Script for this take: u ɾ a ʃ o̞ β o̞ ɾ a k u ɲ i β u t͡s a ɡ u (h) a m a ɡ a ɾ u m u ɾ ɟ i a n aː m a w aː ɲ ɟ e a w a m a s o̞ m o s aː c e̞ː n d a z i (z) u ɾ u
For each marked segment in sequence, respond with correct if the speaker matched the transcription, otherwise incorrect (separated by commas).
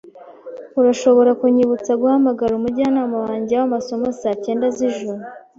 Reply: correct, incorrect